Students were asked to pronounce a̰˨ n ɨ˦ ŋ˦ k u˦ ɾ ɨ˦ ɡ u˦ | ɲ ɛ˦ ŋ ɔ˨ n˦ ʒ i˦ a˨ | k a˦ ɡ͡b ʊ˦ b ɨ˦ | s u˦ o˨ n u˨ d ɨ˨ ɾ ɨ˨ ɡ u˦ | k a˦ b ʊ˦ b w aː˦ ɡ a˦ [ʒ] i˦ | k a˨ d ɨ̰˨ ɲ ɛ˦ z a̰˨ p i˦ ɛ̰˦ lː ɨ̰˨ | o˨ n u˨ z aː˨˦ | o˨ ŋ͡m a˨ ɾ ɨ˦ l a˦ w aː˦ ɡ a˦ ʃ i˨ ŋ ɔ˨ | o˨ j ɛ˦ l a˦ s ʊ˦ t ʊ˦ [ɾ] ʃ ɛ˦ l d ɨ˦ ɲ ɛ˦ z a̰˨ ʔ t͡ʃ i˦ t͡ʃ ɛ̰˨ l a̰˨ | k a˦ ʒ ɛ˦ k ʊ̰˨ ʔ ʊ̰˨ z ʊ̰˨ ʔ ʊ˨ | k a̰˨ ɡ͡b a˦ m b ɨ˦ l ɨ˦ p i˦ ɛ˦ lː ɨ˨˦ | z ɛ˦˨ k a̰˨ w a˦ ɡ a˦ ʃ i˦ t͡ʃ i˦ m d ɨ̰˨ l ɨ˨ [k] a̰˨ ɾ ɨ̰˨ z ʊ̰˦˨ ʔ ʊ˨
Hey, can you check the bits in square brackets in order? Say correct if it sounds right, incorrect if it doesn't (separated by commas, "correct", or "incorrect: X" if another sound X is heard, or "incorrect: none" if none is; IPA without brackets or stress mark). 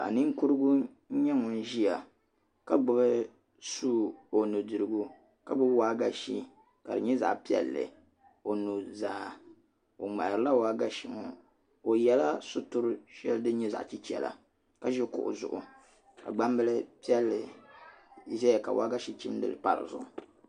incorrect: ʃ, correct, incorrect: p